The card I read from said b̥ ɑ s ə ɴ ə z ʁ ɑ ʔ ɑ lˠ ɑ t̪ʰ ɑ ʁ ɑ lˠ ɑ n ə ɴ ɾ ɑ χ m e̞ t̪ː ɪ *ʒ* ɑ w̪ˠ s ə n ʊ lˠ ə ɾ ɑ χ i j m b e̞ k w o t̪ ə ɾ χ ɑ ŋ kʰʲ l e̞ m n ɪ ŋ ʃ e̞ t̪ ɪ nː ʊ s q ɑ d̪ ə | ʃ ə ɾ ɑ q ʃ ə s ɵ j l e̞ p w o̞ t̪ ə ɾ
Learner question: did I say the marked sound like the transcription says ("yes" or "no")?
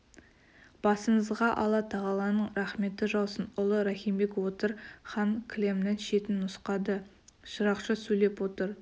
yes